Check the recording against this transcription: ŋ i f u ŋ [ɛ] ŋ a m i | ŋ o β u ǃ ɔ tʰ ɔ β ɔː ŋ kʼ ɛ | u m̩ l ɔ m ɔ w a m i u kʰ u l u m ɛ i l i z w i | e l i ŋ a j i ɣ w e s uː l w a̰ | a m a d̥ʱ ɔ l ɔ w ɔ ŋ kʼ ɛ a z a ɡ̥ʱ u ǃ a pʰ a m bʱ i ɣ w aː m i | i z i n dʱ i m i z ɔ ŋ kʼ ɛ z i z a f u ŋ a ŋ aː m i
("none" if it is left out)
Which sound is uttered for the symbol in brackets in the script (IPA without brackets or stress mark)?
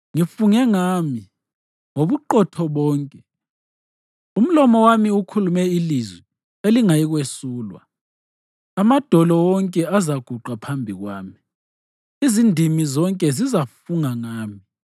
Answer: ɛ